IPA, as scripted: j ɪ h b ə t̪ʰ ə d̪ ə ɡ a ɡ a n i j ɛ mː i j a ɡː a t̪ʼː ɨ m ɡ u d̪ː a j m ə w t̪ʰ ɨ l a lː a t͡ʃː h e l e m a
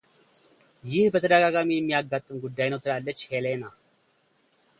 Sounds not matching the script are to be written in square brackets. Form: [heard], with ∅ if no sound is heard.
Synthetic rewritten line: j ɪ h b ə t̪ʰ ə d̪ ə ɡ a ɡ a [m] i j ɛ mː i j a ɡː a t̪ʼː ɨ m ɡ u d̪ː a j [n] ə w t̪ʰ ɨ l a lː [ə] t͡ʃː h e l e [n] a

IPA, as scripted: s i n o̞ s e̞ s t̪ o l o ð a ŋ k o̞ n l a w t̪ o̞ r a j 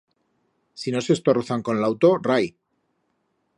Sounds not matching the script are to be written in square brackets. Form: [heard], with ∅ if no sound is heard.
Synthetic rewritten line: s i n o̞ s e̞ s t̪ o [r] o [θ] a ŋ k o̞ n l a w t̪ o̞ r a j

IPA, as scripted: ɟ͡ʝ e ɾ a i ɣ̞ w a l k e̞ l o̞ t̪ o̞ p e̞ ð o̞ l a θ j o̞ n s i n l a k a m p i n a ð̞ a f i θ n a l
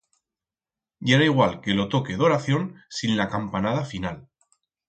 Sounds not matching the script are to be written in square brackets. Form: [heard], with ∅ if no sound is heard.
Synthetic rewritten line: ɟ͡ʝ e ɾ a i ɣ̞ w a l k e̞ l o̞ t̪ o̞ [k] e̞ ð o̞ [ɾ] a θ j o̞ n s i n l a k a m p [a] n a ð̞ a f i [∅] n a l

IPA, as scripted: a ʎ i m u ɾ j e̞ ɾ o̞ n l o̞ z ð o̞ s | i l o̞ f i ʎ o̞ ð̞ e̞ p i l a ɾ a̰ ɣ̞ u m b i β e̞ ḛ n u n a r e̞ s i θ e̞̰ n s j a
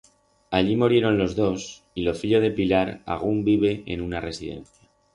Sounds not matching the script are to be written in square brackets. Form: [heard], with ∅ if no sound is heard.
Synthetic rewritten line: a ʎ i m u ɾ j e̞ ɾ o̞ n l o̞ z ð o̞ s | i l o̞ f i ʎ o̞ ð̞ e̞ p i l a ɾ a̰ ɣ̞ u m b i β e̞ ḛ n u n a r e̞ s i [ð] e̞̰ n [θ] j a

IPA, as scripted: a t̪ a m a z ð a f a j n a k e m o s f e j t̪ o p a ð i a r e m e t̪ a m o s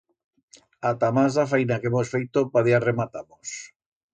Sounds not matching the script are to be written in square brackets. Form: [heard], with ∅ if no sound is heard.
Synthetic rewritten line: a t̪ a m a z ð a f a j n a k e m o s f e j t̪ o p a ð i a r e m [a] t̪ a m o s

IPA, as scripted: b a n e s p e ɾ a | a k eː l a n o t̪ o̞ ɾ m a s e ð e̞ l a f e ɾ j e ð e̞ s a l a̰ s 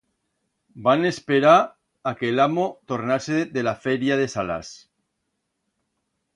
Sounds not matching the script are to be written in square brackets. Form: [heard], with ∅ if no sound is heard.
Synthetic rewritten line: b a n e s p e ɾ a | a k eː l a [m] o t̪ o̞ ɾ [n] a s e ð e̞ l a f e ɾ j [a] ð e̞ s a l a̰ s

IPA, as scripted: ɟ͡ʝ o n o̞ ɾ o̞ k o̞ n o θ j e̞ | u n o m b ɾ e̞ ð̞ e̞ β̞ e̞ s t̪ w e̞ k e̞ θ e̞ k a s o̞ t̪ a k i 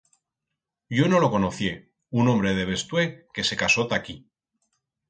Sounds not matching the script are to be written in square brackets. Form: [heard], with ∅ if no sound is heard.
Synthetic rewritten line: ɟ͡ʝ o n o̞ [l] o̞ k o̞ n o θ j e̞ | u n o m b ɾ e̞ ð̞ e̞ β̞ e̞ s t̪ w e̞ k e̞ [s] e̞ k a s o̞ t̪ a k i

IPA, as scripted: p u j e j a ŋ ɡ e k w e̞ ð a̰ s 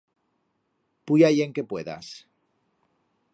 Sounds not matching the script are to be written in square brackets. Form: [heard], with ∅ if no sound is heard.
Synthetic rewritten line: p u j [a] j [e] ŋ [k] e [p] w e̞ ð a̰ s

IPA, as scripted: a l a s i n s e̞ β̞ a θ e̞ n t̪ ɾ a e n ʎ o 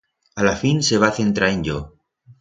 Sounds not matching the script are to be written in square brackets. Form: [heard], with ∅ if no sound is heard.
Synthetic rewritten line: a l a [f] i n s e̞ β̞ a θ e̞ n t̪ ɾ a e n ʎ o

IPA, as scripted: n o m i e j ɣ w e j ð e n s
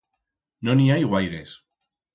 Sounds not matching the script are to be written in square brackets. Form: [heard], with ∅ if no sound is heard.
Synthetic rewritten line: n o [n] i [a] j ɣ w [a] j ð e [∅] s

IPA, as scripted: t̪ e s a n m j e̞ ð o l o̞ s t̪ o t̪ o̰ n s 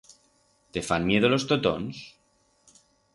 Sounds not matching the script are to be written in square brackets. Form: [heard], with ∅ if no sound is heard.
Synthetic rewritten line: t̪ e [f] a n m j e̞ ð o l o̞ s t̪ o t̪ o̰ n s

